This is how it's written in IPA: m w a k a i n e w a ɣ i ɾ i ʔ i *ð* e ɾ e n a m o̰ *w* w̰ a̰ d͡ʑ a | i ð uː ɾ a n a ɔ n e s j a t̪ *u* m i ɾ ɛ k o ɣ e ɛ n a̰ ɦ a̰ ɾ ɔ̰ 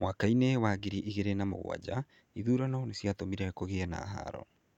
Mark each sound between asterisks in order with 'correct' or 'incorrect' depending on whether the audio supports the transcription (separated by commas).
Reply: incorrect, incorrect, incorrect